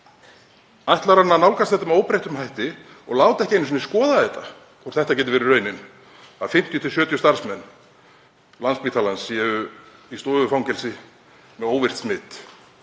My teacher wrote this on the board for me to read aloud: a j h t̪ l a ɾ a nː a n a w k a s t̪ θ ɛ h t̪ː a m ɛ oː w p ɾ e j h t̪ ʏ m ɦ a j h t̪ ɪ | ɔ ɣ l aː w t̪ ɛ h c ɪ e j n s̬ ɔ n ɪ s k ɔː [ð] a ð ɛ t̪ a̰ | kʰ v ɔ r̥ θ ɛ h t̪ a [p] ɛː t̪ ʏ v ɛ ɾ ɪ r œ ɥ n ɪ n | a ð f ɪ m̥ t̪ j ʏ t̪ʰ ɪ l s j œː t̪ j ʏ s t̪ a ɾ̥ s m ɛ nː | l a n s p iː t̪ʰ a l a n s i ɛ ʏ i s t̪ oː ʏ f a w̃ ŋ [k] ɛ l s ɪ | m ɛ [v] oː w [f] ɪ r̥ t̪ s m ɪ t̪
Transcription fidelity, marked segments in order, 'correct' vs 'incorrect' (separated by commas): correct, incorrect, incorrect, incorrect, incorrect